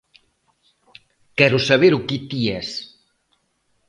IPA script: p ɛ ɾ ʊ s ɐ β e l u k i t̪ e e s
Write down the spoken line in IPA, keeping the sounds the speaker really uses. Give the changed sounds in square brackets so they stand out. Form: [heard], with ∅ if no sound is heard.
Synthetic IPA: [k] ɛ ɾ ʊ s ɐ β e [ɾ] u k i t̪ [i] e s